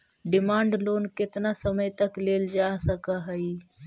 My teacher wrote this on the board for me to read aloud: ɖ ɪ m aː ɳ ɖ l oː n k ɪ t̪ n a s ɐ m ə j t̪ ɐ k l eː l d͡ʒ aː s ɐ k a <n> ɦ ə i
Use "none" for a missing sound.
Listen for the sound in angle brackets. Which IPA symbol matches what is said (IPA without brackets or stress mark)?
none